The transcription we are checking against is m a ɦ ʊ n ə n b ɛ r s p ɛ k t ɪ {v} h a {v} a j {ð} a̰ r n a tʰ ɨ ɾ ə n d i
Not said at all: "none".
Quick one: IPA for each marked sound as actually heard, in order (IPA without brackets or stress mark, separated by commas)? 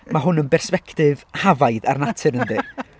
v, v, ð